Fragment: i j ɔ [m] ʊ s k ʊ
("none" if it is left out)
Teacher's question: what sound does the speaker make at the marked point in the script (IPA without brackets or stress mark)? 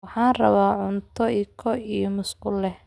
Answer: m